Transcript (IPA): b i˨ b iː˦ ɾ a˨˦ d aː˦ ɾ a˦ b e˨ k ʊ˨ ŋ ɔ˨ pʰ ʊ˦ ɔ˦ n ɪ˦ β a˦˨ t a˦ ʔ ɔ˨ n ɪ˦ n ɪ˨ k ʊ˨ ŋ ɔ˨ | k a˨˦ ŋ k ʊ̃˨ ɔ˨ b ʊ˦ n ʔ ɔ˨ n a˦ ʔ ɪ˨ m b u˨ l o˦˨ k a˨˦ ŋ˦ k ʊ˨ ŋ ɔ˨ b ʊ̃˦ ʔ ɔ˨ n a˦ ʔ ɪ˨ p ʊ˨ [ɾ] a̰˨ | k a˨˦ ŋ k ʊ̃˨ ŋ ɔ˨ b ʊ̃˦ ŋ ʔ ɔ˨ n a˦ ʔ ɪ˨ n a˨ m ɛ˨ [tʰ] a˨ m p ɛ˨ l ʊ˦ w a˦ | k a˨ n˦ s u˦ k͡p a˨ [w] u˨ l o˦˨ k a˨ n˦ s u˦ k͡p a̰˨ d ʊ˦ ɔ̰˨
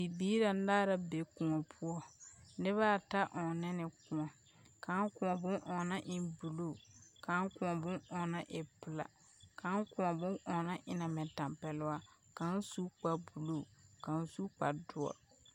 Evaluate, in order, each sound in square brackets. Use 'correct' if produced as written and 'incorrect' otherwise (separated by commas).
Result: incorrect, incorrect, incorrect